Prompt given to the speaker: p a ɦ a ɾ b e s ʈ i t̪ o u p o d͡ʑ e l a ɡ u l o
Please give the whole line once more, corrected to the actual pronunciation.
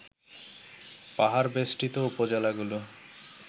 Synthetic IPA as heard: p a ɦ a ɾ b e s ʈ i t̪ o u p o d͡ʑ e l a ɡ u l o